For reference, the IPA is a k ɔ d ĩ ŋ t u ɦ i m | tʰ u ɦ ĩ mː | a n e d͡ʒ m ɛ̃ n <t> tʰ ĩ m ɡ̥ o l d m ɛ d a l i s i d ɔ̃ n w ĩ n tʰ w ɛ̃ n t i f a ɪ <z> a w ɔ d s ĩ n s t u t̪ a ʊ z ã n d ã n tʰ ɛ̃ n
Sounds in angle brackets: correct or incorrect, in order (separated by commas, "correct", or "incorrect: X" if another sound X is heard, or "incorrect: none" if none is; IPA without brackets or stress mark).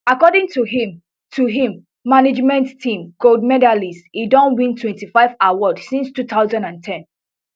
correct, incorrect: v